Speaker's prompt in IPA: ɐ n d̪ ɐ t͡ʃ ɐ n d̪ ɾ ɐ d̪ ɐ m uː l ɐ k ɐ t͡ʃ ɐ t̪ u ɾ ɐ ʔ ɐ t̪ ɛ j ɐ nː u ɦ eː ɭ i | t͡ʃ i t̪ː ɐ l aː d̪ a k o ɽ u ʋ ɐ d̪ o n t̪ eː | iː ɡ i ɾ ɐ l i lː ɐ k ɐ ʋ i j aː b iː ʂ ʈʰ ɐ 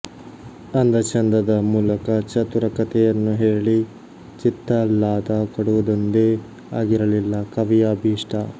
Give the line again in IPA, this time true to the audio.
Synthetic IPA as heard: ɐ n d̪ ɐ t͡ʃ ɐ n d̪ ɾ ɐ d̪ ɐ m uː l ɐ k ɐ t͡ʃ ɐ t̪ u ɾ ɐ k ɐ t̪ ɛ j ɐ nː u ɦ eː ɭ i | t͡ʃ i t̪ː ɐ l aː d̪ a k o ɽ u ʋ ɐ d̪ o n d̪ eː | aː ɡ i ɾ ɐ l i lː ɐ k ɐ ʋ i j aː b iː ʂ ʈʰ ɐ